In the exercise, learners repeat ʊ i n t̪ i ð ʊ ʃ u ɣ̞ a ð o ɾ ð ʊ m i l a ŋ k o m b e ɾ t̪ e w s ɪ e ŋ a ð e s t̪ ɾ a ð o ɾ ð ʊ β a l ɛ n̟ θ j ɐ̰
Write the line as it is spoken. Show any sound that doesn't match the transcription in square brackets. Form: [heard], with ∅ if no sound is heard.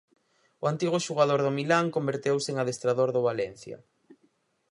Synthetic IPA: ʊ [a] n t̪ i [ɣ] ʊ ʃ u ɣ̞ a ð o ɾ ð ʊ m i l a ŋ k o m b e ɾ t̪ e w s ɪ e ŋ a ð e s t̪ ɾ a ð o ɾ ð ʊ β a l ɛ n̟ θ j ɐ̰